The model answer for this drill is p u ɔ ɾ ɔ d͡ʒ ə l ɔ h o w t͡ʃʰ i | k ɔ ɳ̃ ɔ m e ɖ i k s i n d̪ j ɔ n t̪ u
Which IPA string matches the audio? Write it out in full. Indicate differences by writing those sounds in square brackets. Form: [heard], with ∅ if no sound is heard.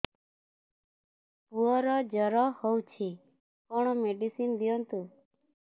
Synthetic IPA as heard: p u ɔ ɾ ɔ d͡ʒ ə [ɾ] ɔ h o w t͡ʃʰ i | k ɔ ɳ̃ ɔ m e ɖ i [∅] s i n d̪ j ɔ n t̪ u